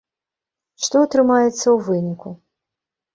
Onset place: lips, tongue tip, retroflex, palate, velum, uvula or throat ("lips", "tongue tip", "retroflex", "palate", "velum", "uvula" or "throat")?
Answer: retroflex